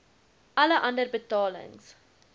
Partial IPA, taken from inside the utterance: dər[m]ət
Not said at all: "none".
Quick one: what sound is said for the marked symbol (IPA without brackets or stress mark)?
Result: b